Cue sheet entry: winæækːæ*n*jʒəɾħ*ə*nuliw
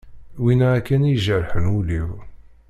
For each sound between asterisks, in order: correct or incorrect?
correct, correct

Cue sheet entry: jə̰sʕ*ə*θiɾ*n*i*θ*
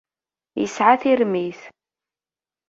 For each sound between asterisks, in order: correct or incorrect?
incorrect: a, incorrect: m, correct

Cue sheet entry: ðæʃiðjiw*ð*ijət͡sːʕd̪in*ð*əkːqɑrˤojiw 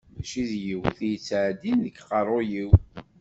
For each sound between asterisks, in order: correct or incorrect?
incorrect: θ, correct

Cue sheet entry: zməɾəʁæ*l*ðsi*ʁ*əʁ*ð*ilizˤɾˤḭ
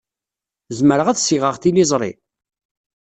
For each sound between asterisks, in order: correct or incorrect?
incorrect: none, correct, incorrect: θ

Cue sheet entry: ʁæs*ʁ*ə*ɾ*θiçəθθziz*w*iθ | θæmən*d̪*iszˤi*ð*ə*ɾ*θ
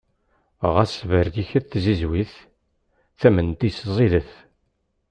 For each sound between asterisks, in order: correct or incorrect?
incorrect: v, correct, correct, incorrect: t̪, correct, incorrect: none

